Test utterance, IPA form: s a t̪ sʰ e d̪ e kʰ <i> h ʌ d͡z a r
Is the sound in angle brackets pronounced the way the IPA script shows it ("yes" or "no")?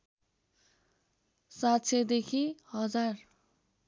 yes